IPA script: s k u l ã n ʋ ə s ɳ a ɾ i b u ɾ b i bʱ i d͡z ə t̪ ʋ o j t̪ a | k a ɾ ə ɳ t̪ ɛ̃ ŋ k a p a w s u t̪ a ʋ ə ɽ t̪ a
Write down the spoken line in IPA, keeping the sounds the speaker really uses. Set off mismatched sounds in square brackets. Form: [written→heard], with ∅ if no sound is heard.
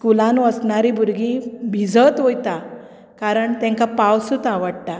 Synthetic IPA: s k u l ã n ʋ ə s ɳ a ɾ i b u ɾ [b→ɡ] i bʱ i d͡z ə t̪ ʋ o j t̪ a | k a ɾ ə ɳ t̪ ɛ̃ ŋ k a p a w s u t̪ a ʋ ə ɽ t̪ a